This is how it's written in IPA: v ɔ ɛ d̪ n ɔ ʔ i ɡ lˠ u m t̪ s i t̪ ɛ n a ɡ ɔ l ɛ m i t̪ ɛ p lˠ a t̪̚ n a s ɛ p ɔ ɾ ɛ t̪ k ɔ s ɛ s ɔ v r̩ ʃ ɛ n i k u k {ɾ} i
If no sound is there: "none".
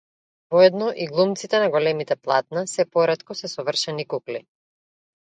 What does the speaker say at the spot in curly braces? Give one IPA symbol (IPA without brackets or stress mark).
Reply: l